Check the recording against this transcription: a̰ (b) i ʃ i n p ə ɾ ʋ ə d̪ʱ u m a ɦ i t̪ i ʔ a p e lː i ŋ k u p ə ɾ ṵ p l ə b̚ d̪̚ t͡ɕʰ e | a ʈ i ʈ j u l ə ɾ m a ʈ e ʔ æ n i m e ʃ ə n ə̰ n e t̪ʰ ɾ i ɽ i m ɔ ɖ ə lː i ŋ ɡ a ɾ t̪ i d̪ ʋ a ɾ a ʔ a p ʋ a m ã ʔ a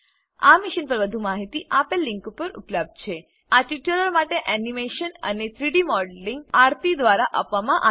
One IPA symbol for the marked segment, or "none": m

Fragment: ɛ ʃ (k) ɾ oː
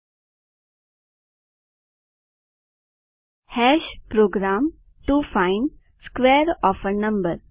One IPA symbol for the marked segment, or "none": p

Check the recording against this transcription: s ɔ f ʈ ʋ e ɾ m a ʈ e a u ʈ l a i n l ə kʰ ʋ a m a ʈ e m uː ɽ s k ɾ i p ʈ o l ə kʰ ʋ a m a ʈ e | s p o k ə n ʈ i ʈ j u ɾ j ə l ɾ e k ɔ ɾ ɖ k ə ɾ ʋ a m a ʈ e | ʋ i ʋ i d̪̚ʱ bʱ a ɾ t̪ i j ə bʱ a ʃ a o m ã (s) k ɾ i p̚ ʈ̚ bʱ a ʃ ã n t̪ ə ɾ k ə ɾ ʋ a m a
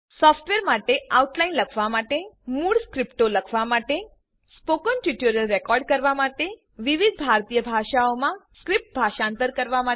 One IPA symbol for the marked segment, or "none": s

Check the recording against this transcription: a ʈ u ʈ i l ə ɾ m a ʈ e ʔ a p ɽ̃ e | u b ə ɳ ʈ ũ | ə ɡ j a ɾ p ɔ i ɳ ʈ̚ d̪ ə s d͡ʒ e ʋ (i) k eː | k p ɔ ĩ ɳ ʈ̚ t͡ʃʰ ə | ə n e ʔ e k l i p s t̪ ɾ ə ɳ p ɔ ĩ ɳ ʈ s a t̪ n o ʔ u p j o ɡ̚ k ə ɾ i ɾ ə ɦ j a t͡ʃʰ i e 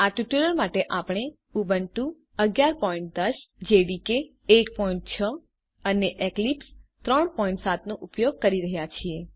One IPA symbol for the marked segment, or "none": i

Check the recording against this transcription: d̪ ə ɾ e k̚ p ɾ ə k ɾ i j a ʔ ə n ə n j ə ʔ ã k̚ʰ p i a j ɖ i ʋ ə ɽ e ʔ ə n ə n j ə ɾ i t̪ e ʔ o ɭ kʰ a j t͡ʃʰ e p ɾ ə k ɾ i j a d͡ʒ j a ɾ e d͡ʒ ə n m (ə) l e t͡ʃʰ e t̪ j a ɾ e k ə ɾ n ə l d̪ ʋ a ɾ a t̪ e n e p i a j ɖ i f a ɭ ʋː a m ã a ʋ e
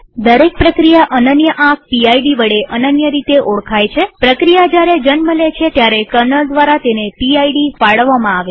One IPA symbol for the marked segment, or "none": ə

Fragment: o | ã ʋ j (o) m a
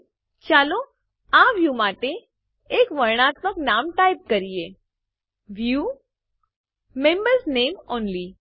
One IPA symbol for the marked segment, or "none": u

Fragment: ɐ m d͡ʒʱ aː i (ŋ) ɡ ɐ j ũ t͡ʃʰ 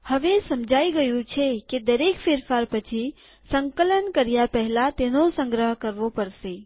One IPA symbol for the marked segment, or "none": none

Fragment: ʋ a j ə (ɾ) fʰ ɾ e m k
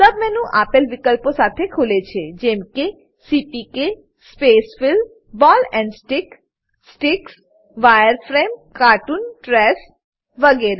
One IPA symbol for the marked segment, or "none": ɾ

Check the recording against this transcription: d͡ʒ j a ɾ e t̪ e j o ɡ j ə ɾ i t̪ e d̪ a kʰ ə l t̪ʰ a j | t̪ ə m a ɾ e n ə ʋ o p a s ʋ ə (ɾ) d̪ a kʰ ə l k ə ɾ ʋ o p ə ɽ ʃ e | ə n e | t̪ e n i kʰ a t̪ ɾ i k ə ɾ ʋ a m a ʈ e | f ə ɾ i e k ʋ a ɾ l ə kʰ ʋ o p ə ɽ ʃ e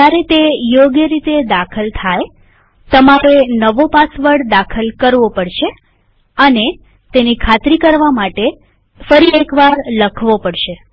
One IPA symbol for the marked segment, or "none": ɽ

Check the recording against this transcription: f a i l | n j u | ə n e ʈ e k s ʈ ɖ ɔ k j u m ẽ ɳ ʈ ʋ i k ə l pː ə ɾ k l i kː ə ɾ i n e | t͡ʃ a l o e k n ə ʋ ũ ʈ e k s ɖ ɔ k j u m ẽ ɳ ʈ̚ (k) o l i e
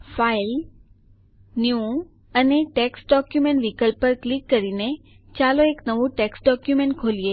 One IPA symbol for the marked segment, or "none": kʰ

